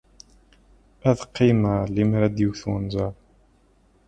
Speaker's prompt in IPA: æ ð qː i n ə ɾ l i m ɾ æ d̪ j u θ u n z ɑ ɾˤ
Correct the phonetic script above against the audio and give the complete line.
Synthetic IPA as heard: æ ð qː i m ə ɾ l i m ɾ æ d̪ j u θ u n z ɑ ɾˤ